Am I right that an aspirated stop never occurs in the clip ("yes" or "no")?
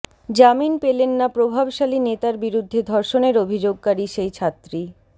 no